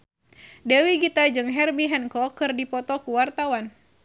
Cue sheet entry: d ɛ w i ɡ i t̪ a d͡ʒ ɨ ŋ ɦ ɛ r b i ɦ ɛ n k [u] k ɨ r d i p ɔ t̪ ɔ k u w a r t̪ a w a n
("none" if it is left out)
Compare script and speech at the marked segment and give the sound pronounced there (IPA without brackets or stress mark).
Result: ɔ